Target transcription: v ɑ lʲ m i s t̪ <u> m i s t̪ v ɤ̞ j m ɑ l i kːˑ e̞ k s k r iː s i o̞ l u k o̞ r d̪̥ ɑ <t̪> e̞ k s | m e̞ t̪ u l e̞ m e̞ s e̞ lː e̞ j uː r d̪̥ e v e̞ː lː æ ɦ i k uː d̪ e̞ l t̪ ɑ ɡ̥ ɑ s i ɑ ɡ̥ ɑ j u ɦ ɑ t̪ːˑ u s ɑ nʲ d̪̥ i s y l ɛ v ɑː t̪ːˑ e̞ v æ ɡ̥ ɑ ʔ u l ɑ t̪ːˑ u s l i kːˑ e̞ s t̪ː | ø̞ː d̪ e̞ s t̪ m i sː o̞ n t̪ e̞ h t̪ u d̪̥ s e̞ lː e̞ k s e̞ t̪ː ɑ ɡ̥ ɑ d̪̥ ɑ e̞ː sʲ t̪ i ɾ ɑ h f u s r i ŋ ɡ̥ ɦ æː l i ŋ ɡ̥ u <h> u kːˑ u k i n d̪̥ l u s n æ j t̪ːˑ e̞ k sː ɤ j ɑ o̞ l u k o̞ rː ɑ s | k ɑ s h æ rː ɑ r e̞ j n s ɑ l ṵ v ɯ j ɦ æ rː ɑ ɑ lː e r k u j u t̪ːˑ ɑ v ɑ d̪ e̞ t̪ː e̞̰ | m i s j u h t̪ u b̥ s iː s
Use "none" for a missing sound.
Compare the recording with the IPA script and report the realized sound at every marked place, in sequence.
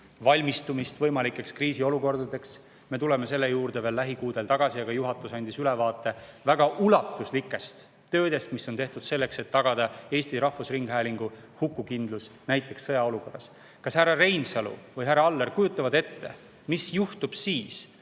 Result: u, d̪, h

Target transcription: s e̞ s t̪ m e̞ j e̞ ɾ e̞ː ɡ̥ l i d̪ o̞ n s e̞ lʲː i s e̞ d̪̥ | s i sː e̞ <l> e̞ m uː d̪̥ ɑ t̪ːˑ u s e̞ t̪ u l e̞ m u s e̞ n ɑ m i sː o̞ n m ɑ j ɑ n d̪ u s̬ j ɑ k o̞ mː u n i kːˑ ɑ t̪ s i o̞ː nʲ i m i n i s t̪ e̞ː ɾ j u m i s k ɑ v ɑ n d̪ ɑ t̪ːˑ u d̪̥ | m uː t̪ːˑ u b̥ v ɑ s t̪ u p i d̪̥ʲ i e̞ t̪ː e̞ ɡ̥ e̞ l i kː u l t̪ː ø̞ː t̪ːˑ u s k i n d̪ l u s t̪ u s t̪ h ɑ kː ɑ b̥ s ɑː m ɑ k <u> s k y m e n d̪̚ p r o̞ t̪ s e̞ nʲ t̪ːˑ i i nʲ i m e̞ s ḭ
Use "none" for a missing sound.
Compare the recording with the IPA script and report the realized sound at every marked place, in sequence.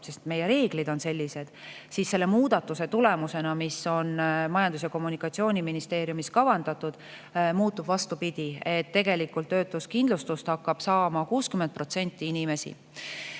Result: lː, uː

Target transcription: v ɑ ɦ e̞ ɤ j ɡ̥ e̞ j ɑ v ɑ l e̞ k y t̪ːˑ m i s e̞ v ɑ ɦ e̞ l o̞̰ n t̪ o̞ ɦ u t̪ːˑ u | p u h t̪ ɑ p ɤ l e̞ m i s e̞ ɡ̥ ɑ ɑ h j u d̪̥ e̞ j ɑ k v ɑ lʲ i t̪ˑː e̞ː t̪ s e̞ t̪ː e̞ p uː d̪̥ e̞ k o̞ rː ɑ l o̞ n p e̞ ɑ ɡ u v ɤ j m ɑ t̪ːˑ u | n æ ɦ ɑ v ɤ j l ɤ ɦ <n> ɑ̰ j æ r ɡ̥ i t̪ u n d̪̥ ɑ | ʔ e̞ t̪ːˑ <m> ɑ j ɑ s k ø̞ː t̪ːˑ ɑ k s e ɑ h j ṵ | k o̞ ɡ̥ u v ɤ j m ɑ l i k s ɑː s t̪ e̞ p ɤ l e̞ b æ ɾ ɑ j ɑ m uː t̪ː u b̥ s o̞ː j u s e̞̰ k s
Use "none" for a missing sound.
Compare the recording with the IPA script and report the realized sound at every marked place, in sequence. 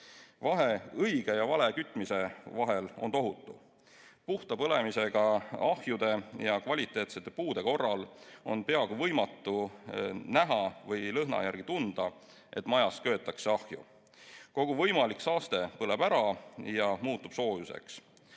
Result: n, m

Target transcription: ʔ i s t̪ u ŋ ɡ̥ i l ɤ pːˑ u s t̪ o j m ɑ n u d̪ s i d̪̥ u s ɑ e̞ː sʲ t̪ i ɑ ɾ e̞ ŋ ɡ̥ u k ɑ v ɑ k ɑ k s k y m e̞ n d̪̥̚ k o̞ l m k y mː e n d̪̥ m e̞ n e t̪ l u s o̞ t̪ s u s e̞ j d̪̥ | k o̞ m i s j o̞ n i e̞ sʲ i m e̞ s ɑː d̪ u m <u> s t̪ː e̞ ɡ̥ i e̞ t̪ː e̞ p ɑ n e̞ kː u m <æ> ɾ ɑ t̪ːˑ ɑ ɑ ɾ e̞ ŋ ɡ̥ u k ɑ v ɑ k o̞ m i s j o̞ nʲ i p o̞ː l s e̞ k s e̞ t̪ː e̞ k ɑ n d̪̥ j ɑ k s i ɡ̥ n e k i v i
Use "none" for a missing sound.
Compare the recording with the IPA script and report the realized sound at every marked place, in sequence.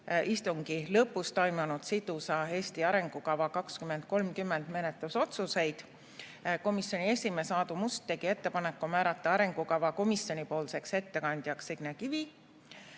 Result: u, æː

